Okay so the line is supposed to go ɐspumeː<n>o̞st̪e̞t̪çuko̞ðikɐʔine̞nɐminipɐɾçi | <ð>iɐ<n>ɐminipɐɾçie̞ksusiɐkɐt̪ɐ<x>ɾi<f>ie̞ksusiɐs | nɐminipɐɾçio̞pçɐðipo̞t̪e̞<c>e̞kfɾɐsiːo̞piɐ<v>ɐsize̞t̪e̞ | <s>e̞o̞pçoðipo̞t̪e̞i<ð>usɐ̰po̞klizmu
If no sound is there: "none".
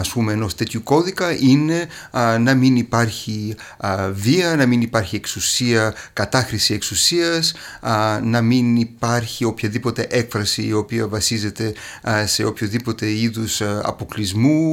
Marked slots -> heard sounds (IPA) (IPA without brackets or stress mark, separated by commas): n, v, n, x, s, ʔ, v, s, ð